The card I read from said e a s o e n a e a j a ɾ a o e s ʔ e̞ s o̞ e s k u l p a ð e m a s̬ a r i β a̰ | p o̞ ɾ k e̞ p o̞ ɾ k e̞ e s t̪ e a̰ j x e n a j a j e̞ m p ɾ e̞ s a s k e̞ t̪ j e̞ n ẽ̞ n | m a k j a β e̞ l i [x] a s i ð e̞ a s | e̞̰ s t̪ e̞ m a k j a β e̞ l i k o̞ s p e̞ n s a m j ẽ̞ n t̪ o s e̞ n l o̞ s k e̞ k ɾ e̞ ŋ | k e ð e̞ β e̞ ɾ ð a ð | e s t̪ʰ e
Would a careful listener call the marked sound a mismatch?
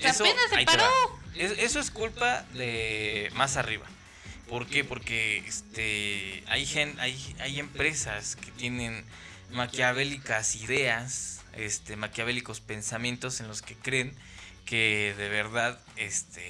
yes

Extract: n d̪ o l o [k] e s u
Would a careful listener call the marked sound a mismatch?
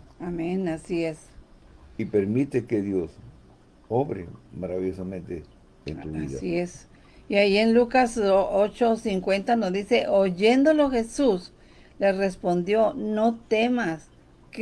yes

